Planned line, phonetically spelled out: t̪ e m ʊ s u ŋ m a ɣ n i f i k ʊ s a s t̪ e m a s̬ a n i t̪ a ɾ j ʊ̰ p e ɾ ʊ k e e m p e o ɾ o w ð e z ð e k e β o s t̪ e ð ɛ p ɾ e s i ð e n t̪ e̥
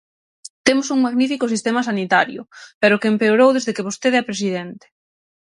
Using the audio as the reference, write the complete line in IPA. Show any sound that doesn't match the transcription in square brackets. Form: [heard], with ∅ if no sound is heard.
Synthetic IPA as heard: t̪ e m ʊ s u ŋ m a ɣ n i f i k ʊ s [i] s t̪ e m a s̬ a n i t̪ a ɾ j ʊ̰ p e ɾ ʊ k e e m p e o ɾ o w ð e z ð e k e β o s t̪ e ð ɛ p ɾ e s i ð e n t̪ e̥

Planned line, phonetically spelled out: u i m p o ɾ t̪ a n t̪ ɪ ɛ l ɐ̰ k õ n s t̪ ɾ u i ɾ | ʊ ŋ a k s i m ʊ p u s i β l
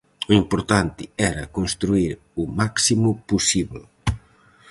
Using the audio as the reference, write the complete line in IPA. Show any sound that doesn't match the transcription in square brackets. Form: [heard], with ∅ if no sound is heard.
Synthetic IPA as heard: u i m p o ɾ t̪ a n t̪ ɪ ɛ [ɾ] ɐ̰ k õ n s t̪ ɾ u i ɾ | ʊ [m] a k s i m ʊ p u s i β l

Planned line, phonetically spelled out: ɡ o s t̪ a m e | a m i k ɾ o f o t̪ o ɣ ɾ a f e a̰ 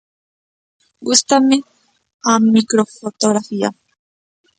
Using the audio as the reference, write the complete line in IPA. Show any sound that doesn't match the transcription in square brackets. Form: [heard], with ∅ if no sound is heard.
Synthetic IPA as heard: ɡ [u] s t̪ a m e | a m i k ɾ o f o t̪ o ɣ ɾ a f [i] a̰

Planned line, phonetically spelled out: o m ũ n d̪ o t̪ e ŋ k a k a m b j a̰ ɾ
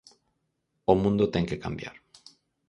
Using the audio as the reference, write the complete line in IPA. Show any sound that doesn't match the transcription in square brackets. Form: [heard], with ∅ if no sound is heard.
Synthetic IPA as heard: o m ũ n d̪ o t̪ e ŋ k [e] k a m b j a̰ ɾ

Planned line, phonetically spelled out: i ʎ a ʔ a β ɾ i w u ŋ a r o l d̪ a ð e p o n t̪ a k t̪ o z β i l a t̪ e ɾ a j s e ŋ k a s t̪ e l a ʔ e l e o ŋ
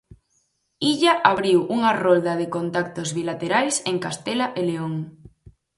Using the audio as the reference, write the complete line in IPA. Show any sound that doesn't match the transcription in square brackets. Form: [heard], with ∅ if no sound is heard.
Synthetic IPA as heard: i ʎ a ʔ a β ɾ i w u ŋ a r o l d̪ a ð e [k] o n t̪ a k t̪ o z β i l a t̪ e ɾ a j s e ŋ k a s t̪ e l a ʔ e l e o ŋ

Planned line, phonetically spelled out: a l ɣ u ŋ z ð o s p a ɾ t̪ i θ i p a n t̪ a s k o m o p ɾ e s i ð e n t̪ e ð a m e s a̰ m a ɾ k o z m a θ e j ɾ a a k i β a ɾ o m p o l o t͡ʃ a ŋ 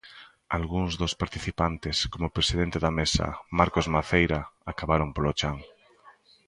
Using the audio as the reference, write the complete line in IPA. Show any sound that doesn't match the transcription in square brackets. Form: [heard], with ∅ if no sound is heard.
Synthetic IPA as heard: a l ɣ u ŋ z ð o s p a ɾ t̪ i θ i p a n t̪ [e] s k o m o p ɾ e s i ð e n t̪ e ð a m e s a̰ m a ɾ k o z m a θ e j ɾ a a k [a] β a ɾ o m p o l o t͡ʃ a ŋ

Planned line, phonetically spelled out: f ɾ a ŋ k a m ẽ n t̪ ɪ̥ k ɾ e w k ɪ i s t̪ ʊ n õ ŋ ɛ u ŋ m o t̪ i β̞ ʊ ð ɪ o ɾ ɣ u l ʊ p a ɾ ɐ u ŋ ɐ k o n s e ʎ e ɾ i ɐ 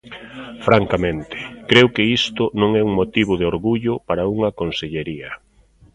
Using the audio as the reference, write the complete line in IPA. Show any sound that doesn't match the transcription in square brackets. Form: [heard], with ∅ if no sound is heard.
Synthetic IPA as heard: f ɾ a ŋ k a m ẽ n t̪ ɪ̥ k ɾ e w k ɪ i s t̪ ʊ n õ ŋ ɛ u ŋ m o t̪ i β̞ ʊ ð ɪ o ɾ ɣ u [ʎ] ʊ p a ɾ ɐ u ŋ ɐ k o n s e ʎ e ɾ i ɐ

